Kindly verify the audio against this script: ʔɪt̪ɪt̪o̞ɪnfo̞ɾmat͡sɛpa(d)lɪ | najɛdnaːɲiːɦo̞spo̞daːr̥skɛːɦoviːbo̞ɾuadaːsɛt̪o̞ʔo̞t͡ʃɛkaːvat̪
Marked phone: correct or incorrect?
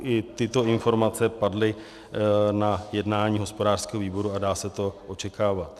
correct